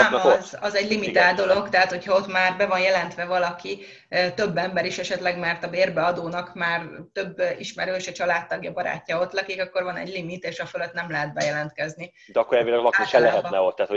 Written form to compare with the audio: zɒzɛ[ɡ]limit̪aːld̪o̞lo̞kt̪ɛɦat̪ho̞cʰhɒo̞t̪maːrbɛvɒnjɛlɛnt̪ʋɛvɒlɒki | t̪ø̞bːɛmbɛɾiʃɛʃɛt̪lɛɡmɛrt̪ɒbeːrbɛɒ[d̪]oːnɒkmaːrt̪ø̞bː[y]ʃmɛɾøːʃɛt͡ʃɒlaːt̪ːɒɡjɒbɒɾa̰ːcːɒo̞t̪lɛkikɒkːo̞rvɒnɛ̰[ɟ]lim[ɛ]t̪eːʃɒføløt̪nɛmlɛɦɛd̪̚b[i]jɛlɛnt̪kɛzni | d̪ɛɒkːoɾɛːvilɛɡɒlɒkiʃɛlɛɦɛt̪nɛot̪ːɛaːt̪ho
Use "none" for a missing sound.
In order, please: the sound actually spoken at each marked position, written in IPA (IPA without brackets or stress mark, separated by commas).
ɟ, d̪, i, ɟ, i, ɛ